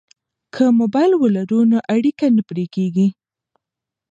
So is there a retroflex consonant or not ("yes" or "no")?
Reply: yes